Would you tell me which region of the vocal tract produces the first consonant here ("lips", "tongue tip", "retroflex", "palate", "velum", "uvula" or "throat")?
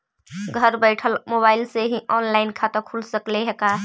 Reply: velum